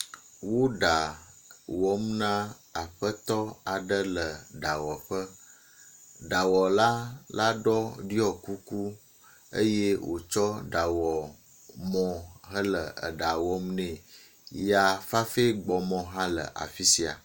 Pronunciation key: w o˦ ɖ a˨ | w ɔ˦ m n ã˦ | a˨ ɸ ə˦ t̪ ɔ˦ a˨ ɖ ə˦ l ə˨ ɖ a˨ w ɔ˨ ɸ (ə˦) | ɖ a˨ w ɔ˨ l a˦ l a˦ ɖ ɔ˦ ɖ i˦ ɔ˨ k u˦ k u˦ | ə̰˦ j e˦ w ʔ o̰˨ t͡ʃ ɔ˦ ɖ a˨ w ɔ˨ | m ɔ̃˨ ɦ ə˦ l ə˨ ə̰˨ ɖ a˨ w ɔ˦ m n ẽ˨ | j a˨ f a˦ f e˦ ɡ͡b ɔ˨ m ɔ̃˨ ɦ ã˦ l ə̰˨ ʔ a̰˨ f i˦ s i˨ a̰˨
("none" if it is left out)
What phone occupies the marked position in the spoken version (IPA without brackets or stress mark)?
ə˦